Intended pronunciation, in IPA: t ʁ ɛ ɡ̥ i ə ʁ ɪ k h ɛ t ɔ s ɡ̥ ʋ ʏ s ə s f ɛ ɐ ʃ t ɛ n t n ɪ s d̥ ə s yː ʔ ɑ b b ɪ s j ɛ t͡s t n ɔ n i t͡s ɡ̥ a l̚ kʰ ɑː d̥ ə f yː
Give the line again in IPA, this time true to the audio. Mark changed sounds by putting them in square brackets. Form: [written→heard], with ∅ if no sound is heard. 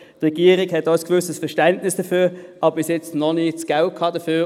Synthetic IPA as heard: t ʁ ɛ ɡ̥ i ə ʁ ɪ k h ɛ t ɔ s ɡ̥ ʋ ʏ s ə s f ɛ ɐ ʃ t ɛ n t n ɪ s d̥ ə [s→f] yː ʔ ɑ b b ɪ s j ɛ t͡s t n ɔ n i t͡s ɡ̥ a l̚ kʰ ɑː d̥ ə f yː